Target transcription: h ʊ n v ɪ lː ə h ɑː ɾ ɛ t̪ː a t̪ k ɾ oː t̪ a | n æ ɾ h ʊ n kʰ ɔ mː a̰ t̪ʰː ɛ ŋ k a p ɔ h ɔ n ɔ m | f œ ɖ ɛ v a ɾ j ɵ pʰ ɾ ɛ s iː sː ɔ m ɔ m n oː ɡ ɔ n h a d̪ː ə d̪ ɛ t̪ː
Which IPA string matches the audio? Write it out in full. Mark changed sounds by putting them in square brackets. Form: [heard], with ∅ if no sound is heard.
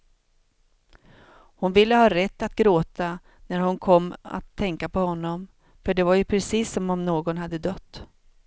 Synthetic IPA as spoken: h ʊ n v ɪ lː ə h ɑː ɾ ɛ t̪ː a t̪ [ɡ] ɾ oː t̪ a | n æ ɾ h ʊ n kʰ ɔ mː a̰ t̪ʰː ɛ ŋ k a p ɔ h ɔ [nː] ɔ m | f œ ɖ ɛ v a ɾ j ɵ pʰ ɾ ɛ s iː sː ɔ m ɔ m n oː ɡ ɔ n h a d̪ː ə d̪ [œ] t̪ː